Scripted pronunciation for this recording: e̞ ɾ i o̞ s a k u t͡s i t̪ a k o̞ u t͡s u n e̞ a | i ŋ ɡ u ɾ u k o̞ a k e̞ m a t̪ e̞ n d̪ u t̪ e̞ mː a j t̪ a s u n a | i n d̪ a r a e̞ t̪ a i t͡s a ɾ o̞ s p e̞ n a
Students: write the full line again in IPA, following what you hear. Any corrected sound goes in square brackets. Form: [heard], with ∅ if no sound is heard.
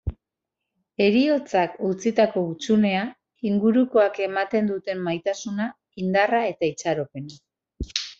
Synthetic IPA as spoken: e̞ ɾ i o̞ [t͡s] a k u t͡s i t̪ a k o̞ u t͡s u n e̞ a | i ŋ ɡ u ɾ u k o̞ a k e̞ m a t̪ e̞ n d̪ u t̪ e̞ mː a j t̪ a s u n a | i n d̪ a r a e̞ t̪ a i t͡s a ɾ o̞ [∅] p e̞ n a